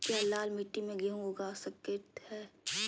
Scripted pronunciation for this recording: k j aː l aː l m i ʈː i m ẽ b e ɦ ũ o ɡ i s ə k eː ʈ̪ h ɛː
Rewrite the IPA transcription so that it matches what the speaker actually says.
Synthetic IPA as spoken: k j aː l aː l m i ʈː i m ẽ ɡ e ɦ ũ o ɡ a s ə k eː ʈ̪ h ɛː